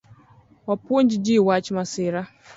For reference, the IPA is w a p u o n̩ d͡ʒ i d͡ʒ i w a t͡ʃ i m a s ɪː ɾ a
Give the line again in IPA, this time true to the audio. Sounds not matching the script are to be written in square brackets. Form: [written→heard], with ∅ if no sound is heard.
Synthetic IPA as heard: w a p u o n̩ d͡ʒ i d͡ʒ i w a t͡ʃ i m a s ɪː ɾ a